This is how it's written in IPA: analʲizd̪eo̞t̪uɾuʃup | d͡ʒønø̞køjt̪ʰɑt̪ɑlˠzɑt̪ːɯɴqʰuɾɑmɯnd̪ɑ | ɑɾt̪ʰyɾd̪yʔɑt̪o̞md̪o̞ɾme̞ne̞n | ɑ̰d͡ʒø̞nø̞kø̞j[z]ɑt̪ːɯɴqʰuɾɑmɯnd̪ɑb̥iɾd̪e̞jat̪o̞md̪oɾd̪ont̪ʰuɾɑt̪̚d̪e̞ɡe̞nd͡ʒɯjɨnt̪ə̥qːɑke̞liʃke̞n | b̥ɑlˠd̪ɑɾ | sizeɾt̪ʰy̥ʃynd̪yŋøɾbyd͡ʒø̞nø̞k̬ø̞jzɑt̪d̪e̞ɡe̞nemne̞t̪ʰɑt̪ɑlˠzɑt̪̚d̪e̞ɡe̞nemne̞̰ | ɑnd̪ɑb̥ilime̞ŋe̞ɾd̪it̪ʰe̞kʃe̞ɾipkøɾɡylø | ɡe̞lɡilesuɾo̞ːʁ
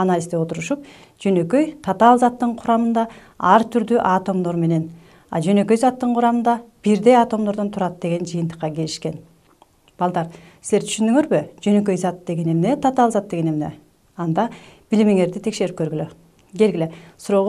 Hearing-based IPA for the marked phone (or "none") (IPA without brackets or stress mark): z